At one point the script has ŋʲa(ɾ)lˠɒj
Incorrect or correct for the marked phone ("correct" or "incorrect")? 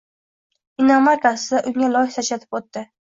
incorrect